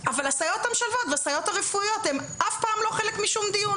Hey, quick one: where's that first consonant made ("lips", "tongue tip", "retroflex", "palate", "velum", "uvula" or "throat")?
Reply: lips